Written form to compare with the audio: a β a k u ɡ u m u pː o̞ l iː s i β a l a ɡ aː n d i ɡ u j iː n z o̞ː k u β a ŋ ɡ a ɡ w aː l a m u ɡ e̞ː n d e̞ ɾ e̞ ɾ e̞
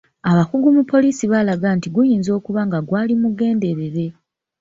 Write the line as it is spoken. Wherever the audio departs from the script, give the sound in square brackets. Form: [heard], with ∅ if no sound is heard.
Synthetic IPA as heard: a β a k u ɡ u m u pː o̞ l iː s i β a l a ɡ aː n [t] i ɡ u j iː n z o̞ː k u β a ŋ ɡ a ɡ w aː l [i] m u ɡ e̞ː n d e̞ ɾ e̞ ɾ e̞

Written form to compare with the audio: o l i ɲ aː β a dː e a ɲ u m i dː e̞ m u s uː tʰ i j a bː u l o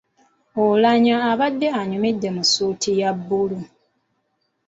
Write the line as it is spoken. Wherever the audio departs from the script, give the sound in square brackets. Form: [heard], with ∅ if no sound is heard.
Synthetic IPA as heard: o l [a] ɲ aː β a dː e a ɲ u m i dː e̞ m u s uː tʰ i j a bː u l [u]

